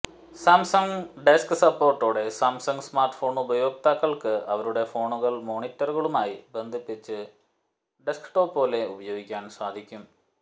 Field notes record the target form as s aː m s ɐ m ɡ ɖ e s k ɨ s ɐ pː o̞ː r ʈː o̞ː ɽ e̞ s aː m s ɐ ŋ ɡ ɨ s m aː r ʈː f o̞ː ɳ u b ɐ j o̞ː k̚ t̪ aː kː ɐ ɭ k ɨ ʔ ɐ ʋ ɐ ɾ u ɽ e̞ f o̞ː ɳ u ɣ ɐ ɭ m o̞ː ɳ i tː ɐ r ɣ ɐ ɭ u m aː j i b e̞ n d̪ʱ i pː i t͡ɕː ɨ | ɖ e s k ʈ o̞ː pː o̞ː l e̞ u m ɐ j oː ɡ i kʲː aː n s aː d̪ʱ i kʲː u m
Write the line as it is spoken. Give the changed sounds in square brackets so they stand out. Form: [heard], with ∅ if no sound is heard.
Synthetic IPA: s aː m s ɐ [ŋ] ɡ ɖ e s k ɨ s ɐ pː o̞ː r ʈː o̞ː ɽ e̞ s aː m s ɐ ŋ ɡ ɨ s m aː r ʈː f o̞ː ɳ u b ɐ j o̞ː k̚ t̪ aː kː ɐ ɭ k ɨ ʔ ɐ ʋ ɐ ɾ u ɽ e̞ f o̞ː ɳ u ɣ ɐ ɭ m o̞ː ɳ i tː ɐ r ɣ ɐ ɭ u m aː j i b e̞ n d̪ʱ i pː i t͡ɕː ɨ | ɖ e s k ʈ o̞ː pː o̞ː l e̞ u [b] ɐ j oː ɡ i kʲː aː n s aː d̪ʱ i kʲː u m